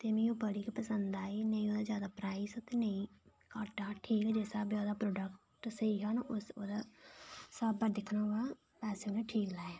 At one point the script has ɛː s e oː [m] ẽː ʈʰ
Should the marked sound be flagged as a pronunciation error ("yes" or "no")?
yes